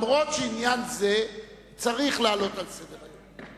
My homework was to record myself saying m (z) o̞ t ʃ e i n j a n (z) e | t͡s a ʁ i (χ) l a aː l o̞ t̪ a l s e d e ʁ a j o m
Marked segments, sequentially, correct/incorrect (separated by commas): incorrect, correct, correct